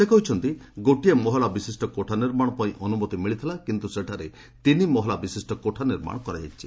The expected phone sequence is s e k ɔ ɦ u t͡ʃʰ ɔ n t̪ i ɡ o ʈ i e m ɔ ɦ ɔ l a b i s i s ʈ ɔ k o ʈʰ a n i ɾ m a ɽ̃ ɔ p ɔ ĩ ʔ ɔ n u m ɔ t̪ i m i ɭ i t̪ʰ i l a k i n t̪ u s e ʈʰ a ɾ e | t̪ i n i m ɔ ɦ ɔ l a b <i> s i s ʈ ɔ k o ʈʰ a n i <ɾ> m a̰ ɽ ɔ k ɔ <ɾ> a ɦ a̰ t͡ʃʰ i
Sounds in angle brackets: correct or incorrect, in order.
correct, correct, correct

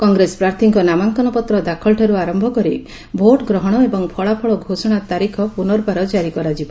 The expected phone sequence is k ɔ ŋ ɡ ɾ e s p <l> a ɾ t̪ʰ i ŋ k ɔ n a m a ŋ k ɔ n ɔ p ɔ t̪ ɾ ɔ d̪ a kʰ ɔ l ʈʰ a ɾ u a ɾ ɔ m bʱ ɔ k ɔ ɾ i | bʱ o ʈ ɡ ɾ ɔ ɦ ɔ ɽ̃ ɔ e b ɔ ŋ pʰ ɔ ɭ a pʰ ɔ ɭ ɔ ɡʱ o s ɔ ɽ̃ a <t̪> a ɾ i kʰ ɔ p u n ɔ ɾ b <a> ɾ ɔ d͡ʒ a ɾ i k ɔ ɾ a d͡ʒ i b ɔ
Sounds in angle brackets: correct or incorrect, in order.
incorrect: ɾ, correct, correct

